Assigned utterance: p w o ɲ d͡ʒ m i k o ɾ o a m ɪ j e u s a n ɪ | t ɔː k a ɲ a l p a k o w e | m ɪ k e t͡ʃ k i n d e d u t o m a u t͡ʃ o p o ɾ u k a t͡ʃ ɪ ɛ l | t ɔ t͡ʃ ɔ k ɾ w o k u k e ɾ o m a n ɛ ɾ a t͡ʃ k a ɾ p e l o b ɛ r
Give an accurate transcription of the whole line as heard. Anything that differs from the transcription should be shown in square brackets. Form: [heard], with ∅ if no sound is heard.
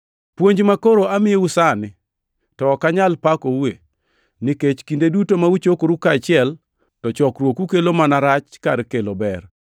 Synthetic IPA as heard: p w o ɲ d͡ʒ m [a] k o ɾ o a m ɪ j e u s a n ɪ | t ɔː k a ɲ a l p a k o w e | [n] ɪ k e t͡ʃ k i n d e d u t o m a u t͡ʃ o [k] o ɾ u k a t͡ʃ ɪ ɛ l | t ɔ t͡ʃ ɔ k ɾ w o k u k e [l] o m a n [a] ɾ a t͡ʃ k a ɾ [k] e l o b ɛ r